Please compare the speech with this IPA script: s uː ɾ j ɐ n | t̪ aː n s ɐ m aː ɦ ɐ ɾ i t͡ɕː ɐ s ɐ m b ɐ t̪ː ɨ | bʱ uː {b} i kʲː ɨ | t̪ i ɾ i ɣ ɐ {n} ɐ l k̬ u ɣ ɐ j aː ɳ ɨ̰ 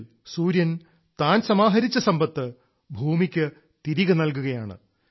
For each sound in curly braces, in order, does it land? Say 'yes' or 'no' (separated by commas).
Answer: no, yes